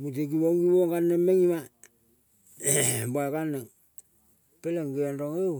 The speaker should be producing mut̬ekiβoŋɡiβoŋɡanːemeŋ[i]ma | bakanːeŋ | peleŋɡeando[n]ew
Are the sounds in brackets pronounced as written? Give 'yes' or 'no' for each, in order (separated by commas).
yes, no